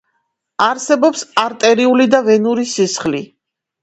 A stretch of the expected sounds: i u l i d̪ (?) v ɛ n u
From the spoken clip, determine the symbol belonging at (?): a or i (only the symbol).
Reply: a